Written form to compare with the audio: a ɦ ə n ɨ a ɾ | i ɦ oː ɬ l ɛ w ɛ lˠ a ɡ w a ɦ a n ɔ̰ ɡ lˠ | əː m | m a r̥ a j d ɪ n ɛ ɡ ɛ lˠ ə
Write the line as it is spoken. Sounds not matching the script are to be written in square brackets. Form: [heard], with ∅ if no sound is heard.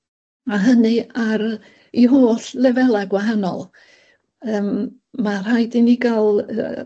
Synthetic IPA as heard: a ɦ ə n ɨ a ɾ | i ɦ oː ɬ l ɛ [v] ɛ lˠ a ɡ w a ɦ a n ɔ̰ [∅] lˠ | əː m | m a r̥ a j d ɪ n [i] ɡ [a] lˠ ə